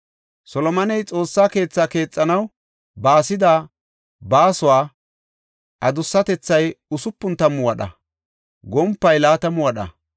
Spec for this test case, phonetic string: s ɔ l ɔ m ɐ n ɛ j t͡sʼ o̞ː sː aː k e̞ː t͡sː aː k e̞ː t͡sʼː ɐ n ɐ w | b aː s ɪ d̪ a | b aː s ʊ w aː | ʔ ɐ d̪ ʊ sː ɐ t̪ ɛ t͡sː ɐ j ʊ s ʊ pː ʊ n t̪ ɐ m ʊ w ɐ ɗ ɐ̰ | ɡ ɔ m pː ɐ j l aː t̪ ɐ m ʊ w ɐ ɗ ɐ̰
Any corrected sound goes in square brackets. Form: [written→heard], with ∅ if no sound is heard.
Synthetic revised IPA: s ɔ l ɔ m ɐ n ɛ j t͡sʼ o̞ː sː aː k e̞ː t͡sː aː k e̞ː t͡sʼː ɐ n ɐ w | b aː s ɪ d̪ a | b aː s ʊ w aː | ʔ ɐ d̪ ʊ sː ɐ t̪ ɛ t͡sː ɐ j ʊ s ʊ pː ʊ n t̪ ɐ m ʊ w ɐ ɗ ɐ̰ | ɡ ɔ m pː ɐ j l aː t̪ ɐ m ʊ w ɐ ɗ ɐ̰